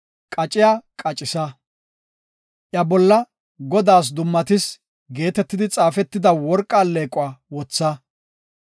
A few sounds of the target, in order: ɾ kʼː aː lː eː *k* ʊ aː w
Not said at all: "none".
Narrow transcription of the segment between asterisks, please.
kʼ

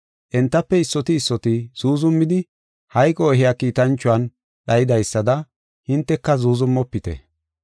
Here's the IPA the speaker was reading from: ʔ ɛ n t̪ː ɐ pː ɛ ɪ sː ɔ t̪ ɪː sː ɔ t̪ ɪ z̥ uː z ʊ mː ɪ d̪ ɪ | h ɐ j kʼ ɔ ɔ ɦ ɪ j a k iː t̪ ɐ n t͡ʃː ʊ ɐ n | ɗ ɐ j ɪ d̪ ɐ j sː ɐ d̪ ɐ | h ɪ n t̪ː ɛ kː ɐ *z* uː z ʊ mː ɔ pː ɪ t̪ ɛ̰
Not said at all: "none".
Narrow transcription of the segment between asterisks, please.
z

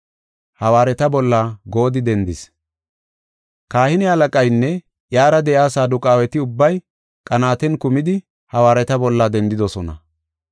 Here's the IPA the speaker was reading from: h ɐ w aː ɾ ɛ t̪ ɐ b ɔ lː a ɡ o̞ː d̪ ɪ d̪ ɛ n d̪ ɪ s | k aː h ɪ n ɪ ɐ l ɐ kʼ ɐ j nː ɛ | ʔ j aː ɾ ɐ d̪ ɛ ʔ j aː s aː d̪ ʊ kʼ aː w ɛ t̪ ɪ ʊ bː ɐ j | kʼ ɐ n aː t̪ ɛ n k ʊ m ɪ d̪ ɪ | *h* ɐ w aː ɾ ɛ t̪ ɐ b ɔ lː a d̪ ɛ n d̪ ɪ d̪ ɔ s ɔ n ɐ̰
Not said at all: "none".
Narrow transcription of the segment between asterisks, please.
h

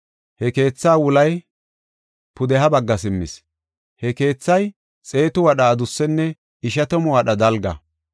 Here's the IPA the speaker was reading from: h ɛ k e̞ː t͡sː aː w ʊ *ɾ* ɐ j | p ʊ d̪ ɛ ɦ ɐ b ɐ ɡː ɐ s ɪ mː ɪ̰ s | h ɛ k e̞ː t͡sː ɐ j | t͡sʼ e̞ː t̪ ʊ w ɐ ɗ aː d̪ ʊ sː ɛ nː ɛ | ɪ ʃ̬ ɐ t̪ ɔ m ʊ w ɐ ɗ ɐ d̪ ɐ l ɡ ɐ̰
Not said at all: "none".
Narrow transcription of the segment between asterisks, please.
l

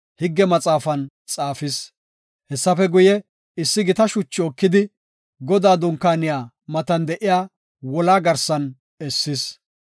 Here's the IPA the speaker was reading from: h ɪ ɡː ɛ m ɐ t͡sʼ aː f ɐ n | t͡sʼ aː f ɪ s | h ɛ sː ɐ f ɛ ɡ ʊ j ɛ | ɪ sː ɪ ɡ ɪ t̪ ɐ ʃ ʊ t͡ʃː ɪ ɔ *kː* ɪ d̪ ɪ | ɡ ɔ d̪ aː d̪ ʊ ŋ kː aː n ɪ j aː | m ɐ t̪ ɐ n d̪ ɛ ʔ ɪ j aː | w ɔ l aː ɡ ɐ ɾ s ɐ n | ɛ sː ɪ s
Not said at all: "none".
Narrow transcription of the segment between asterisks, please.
kː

